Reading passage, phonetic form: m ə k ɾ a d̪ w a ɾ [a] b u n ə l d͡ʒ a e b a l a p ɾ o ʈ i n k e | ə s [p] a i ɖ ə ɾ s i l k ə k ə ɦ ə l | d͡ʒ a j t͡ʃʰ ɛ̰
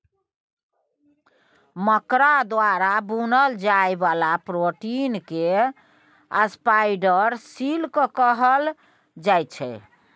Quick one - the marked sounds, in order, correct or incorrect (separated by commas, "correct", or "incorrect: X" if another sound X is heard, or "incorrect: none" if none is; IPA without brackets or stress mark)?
correct, correct